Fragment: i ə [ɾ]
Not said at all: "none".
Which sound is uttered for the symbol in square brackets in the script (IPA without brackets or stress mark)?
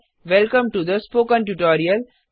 l